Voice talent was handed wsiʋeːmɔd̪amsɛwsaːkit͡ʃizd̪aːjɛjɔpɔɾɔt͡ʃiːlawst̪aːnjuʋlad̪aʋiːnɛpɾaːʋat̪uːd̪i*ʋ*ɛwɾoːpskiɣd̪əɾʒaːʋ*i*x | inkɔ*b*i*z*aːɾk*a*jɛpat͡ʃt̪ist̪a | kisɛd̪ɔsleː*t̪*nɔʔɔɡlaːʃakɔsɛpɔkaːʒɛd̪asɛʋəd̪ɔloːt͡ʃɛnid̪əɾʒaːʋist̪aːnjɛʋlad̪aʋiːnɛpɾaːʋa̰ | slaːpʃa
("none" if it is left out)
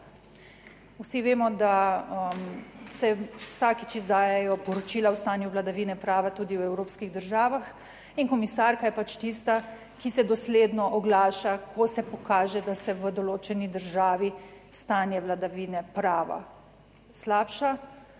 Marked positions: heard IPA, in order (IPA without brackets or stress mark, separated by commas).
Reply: w, a, m, s, a, d̪